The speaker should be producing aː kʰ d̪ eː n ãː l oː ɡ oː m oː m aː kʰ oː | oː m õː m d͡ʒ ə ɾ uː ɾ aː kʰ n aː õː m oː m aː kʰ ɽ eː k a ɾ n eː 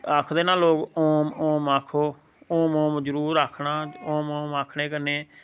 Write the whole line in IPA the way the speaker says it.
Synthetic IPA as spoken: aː kʰ d̪ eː n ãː l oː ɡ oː m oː m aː kʰ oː | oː m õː m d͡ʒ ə ɾ uː ɾ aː kʰ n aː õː m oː m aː kʰ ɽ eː k ə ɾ n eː

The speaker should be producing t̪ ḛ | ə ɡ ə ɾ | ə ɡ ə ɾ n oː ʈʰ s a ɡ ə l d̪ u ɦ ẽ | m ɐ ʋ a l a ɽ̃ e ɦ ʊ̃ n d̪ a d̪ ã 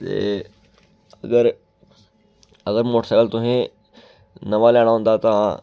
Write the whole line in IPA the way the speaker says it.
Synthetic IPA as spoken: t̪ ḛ | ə ɡ ə ɾ | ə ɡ ə ɾ m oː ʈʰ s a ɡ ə l t̪ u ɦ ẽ | n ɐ ʋ a l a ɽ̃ a ɦ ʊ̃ n d̪ a t̪ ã

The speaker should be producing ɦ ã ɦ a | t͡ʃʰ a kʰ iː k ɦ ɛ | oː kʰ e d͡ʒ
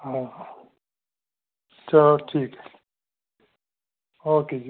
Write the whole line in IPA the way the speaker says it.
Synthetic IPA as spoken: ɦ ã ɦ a | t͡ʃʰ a ʈʰ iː k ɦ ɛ | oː k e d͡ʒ

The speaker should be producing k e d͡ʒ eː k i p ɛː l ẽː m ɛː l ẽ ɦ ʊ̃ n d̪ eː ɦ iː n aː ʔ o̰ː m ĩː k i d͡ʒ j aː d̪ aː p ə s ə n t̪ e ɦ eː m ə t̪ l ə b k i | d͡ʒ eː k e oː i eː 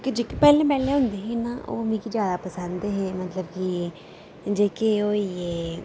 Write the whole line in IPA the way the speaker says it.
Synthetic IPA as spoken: k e d͡ʒ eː k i p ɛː l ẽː m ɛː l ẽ ɦ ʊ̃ n d̪ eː ɦ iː n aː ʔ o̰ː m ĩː k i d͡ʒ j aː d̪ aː p ə s ə n d̪ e ɦ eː m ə t̪ l ə b k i | d͡ʒ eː k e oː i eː

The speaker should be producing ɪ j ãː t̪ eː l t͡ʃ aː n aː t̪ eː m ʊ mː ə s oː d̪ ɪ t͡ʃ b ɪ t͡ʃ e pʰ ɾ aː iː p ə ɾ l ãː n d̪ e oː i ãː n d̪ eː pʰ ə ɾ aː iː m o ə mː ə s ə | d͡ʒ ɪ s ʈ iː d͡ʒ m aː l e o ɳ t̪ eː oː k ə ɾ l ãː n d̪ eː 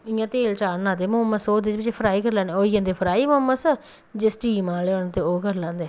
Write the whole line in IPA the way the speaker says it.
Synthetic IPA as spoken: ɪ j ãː t̪ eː l t͡ʃ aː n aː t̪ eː m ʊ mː ə s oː d̪ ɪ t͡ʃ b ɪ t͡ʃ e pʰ ɾ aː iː k ə ɾ l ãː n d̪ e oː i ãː n d̪ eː pʰ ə ɾ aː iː m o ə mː ə s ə | d͡ʒ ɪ s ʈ iː m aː l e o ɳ t̪ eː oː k ə ɾ l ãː n d̪ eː

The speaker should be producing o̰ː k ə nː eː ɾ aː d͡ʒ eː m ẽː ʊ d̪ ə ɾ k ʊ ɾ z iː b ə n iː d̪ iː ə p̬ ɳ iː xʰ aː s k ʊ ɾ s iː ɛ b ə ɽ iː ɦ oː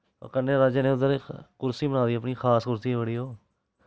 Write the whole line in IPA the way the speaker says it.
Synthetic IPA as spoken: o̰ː k ə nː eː ɾ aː d͡ʒ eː n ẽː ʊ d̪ ə ɾ k ʊ ɾ s iː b ə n aː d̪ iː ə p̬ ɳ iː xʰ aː s k ʊ ɾ s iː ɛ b ə ɽ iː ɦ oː

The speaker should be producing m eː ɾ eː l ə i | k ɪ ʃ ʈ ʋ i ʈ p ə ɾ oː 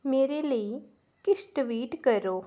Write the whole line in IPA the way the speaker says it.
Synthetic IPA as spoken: m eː ɾ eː l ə i | k ɪ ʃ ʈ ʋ iː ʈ k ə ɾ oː

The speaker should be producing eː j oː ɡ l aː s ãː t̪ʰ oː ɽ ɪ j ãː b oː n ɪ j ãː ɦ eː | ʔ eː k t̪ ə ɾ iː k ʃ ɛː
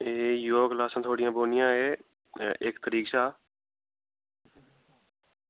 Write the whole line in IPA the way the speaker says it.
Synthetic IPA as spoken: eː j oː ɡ l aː s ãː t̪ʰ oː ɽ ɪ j ãː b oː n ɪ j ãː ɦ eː | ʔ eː k t̪ ə ɾ iː k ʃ aː

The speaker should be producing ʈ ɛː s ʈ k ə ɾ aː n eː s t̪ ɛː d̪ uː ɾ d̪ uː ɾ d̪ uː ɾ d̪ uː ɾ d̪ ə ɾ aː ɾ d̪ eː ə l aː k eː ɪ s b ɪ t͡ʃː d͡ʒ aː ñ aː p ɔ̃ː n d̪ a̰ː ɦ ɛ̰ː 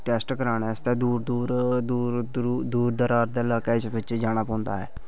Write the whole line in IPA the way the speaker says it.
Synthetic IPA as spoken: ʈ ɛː s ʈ k ə ɾ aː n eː s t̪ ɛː d̪ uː ɾ d̪ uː ɾ d̪ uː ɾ d̪ uː ɾ d̪ ə ɾ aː ɾ d̪ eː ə l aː k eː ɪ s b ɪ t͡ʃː d͡ʒ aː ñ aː p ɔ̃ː n d̪ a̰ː ɦ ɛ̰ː

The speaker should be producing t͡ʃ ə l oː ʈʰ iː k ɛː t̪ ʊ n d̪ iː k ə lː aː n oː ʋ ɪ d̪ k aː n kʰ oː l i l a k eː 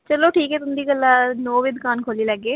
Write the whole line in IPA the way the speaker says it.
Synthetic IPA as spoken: t͡ʃ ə l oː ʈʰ iː k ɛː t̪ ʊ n d̪ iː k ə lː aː n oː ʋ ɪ d̪ k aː n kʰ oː l i l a ɡ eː

